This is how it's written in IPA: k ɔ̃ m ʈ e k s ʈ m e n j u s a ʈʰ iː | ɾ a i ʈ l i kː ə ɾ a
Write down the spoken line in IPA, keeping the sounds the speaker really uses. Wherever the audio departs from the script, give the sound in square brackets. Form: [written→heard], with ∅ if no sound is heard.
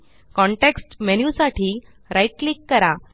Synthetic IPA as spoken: k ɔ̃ [m→ɳ] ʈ e k s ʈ m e n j u s a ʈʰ iː | ɾ a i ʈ l i kː ə ɾ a